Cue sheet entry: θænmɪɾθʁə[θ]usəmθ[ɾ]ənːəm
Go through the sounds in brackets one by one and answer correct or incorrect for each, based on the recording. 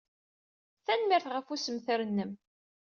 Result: incorrect, correct

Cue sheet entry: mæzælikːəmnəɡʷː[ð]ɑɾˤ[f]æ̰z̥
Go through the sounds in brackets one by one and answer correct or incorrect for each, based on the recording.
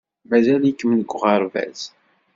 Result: incorrect, incorrect

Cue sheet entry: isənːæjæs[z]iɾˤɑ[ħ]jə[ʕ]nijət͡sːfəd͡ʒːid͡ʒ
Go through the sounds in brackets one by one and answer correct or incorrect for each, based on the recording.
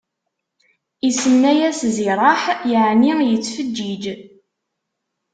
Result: correct, correct, correct

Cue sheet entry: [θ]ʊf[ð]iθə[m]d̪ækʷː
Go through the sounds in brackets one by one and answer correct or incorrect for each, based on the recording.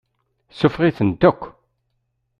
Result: incorrect, incorrect, incorrect

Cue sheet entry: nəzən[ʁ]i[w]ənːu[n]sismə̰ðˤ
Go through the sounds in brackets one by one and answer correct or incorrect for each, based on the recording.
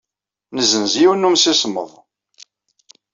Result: incorrect, correct, incorrect

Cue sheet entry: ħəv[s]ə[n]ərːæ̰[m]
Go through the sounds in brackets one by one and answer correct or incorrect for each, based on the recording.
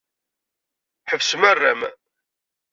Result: correct, incorrect, correct

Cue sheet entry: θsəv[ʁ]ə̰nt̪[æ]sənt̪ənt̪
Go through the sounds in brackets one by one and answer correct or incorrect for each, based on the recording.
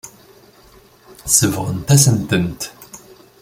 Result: correct, correct

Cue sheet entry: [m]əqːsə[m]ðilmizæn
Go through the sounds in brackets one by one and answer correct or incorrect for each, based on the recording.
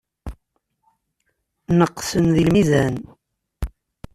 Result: incorrect, incorrect

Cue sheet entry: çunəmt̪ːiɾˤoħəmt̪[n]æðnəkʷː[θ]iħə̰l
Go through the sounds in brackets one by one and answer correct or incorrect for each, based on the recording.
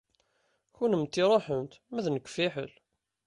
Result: incorrect, incorrect

